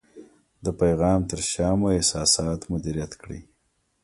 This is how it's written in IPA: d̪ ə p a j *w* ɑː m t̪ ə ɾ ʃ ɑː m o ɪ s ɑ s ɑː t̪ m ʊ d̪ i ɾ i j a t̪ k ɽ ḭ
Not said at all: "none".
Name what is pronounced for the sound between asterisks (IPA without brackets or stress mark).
ɣ